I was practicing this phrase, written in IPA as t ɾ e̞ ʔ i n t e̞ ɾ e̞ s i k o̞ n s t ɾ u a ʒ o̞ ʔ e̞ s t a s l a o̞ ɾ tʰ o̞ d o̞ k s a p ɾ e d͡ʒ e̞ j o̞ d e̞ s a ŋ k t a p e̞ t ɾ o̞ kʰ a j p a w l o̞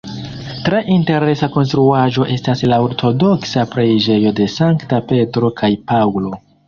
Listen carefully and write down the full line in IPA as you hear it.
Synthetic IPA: t ɾ e̞ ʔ i n t e̞ ɾ e̞ s a k o̞ n s t ɾ u a ʒ o̞ ʔ e̞ s t a s l a o̞ ɾ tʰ o̞ d o̞ k s a p ɾ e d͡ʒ e̞ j o̞ d e̞ s a ŋ k t a p e̞ t ɾ o̞ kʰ a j p a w l o̞